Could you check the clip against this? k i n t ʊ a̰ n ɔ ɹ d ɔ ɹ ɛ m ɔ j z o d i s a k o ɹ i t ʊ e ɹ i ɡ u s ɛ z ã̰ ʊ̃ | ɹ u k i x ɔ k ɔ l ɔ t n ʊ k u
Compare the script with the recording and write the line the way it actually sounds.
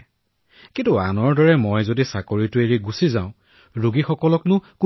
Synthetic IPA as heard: k i n t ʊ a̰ n ɔ ɹ d ɔ ɹ ɛ m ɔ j z o d i s a k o ɹ i t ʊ e ɹ i ɡ u s i z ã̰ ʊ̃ | ɹ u ɡ i x ɔ k ɔ l ɔ k n ʊ k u

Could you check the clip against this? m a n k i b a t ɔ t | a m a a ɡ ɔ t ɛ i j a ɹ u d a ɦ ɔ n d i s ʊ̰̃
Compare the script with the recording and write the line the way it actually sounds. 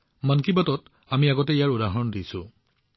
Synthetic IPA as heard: m a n k i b a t ɔ t | a m i a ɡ ɔ t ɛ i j a ɹ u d a ɦ ɔ n d i s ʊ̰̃

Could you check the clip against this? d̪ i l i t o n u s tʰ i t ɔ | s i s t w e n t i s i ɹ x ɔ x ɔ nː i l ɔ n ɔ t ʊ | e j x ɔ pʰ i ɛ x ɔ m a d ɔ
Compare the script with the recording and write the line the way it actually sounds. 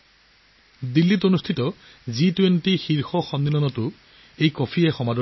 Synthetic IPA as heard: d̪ i lː i t o n u s tʰ i t ɔ | z i t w e n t i x i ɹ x ɔ x ɔ nː i l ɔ n ɔ t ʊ | e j k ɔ pʰ i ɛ x ɔ m a d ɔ

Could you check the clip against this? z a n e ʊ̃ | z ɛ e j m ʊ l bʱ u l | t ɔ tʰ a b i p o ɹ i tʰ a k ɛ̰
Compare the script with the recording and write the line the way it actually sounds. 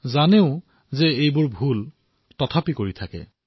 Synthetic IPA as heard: z a n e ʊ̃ | z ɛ e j b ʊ ɹ bʱ u l | t ɔ tʰ a p i k o ɹ i tʰ a k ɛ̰

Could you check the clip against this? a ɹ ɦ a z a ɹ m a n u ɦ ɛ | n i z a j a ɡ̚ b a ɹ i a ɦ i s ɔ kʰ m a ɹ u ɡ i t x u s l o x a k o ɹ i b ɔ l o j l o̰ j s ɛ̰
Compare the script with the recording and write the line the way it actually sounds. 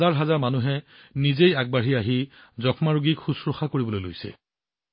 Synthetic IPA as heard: a ɹ ɦ a z a ɹ m a n u ɦ ɛ | n i z e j a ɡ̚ b a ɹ i a ɦ i z ɔ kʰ m a ɹ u ɡ i k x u s ɹ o x a k o ɹ i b ɔ l o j l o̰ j s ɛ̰

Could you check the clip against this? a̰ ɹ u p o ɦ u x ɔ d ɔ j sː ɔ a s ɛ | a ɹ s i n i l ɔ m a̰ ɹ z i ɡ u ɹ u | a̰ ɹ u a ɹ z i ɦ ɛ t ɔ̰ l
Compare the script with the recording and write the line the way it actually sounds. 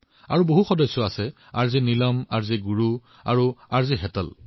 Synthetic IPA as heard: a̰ ɹ u b o ɦ u x ɔ d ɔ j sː ɔ a s ɛ | a ɹ z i n i l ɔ m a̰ ɹ z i ɡ u ɹ u | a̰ ɹ u a ɹ z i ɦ ɛ t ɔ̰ l

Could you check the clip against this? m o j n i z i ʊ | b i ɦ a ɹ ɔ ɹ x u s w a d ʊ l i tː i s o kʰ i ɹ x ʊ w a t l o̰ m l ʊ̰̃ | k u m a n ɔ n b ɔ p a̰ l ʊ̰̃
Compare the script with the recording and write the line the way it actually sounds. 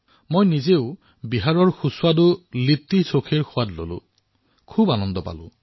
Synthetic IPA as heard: m o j n i z e ʊ | b i ɦ a ɹ ɔ ɹ x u s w a d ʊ l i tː i s o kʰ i ɹ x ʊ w a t l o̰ l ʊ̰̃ | kʰ u b a n ɔ n d ɔ p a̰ l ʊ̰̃

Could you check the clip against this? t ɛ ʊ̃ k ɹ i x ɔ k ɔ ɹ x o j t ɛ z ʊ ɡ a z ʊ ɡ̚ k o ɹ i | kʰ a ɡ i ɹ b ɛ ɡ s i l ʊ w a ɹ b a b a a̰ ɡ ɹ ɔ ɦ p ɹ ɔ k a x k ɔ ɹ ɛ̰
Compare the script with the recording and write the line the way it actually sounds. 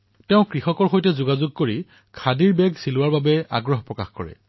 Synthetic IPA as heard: t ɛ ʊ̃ k ɹ i x ɔ k ɔ ɹ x o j t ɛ z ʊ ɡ a z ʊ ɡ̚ k o ɹ i | kʰ a d i ɹ b ɛ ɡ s i l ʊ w a ɹ b a b ɛ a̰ ɡ ɹ ɔ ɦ p ɹ ɔ k a x k ɔ ɹ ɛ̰

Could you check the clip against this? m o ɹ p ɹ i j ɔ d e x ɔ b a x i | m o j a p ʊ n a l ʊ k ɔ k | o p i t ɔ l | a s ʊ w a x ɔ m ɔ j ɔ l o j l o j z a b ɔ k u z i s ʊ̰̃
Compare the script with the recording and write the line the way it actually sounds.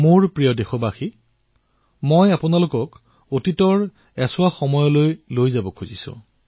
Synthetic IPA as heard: m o ɹ p ɹ i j ɔ d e x ɔ b a x i | m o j a p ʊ n a l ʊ k ɔ k | o t i t ɔ ɹ | ɛ s ʊ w a x ɔ m ɔ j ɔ l o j l o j z a b ɔ kʰ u z i s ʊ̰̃

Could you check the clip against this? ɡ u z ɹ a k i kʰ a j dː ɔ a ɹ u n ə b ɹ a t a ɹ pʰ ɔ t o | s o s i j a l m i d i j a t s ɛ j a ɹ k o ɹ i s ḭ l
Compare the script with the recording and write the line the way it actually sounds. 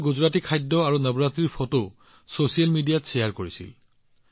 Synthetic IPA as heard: ɡ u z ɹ a t i kʰ a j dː ɔ a ɹ u n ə b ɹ a t i ɹ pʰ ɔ t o | s o s i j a l m i d i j a t s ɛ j a ɹ k o ɹ i s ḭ l

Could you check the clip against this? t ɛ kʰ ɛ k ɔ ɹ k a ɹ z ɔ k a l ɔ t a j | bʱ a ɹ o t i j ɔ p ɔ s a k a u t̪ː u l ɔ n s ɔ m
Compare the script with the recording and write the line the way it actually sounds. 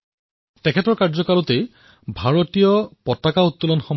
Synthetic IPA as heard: t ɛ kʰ ɛ t ɔ ɹ k a ɹ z ɔ k a l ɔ t e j | bʱ a ɹ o t i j ɔ p ɔ t a k a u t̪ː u l ɔ n x ɔ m

